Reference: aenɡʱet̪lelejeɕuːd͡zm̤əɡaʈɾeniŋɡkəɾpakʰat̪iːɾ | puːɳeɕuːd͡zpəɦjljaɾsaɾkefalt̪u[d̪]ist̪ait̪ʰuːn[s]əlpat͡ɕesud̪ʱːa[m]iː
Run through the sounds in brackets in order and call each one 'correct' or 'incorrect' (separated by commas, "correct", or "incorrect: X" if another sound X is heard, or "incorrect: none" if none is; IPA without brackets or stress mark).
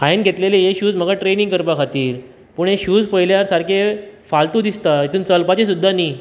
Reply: correct, incorrect: t͡s, incorrect: n